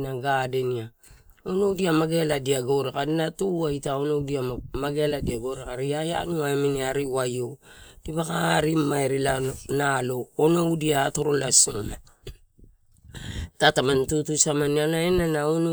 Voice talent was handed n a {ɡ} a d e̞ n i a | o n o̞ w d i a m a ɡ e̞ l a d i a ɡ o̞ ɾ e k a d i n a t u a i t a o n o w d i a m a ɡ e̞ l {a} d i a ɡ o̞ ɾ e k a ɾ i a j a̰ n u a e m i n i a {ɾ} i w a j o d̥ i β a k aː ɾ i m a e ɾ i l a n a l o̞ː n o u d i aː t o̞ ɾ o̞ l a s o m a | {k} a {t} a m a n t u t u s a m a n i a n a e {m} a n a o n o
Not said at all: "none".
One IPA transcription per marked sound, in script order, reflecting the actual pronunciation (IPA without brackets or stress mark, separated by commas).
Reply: ɡ, a, ɾ, t, t, n